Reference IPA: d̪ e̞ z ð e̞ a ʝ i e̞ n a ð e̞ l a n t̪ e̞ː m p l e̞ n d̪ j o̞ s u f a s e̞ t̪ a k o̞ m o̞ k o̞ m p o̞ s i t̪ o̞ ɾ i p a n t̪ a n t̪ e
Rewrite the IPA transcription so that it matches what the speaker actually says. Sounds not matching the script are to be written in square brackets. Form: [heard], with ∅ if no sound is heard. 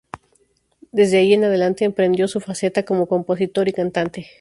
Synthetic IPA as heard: d̪ e̞ z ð e̞ a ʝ i e̞ n a ð e̞ l a n t̪ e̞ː m p [ɾ] e̞ n d̪ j o̞ s u f a s e̞ t̪ a k o̞ m o̞ k o̞ m p o̞ s i t̪ o̞ ɾ i [k] a n t̪ a n t̪ e